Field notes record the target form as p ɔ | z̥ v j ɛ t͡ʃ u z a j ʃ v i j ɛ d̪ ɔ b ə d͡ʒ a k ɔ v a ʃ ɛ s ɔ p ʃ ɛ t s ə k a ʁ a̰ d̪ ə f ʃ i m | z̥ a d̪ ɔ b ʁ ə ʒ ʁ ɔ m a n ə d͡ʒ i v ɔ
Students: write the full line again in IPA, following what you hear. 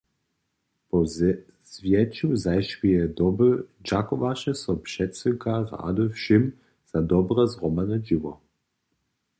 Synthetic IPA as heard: p ɔ | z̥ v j ɛ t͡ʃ u z a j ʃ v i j ɛ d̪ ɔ b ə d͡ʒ a k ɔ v a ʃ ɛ s ɔ p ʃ ɛ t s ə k a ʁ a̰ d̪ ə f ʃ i m | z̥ a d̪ ɔ b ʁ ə z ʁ ɔ m a n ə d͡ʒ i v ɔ